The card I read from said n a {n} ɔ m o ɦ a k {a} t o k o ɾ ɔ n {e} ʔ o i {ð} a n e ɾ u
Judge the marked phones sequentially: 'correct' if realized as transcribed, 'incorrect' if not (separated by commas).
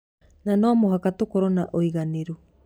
correct, correct, incorrect, incorrect